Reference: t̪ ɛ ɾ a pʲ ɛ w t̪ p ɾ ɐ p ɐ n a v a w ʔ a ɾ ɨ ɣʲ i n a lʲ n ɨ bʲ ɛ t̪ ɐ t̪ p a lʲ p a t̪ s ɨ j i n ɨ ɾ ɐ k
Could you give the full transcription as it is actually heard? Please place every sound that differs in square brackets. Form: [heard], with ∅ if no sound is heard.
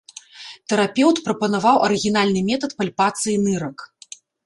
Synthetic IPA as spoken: t̪ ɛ ɾ a pʲ ɛ w t̪ p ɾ ɐ p ɐ n a v a w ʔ [ɐ] ɾ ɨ ɣʲ i n a lʲ n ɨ [mʲ] ɛ t̪ ɐ t̪ p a lʲ p a t̪ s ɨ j i n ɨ ɾ ɐ k